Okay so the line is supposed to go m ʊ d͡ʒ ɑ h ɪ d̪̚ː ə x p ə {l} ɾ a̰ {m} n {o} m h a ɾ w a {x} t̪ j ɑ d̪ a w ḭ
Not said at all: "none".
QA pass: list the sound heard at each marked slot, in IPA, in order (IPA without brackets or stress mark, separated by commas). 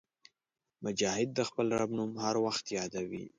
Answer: l, b, u, x